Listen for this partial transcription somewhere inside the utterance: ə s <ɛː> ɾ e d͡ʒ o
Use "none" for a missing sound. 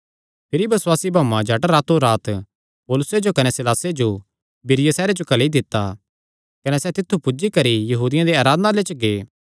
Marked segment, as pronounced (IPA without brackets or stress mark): ɛː